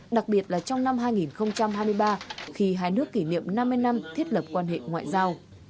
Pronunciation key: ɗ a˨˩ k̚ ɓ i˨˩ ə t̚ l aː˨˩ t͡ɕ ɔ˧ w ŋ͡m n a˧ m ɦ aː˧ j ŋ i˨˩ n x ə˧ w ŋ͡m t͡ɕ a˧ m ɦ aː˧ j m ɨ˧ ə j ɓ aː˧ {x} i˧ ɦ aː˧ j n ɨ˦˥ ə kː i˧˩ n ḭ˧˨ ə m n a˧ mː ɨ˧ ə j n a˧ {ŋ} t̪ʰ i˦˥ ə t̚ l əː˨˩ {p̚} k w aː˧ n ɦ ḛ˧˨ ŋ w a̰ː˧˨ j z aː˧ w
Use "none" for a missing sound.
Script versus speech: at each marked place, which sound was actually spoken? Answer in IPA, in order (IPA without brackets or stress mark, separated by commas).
x, m, p̚